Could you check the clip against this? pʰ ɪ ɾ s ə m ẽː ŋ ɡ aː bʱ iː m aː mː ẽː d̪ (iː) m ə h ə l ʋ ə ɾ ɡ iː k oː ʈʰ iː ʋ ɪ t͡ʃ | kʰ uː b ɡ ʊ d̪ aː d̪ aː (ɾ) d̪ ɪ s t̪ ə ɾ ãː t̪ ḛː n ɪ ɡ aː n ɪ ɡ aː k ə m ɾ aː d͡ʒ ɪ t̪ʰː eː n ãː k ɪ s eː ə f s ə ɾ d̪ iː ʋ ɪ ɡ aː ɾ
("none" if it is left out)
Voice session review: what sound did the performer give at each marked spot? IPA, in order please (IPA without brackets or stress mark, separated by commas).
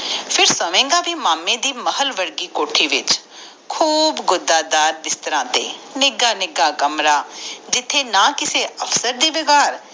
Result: iː, ɾ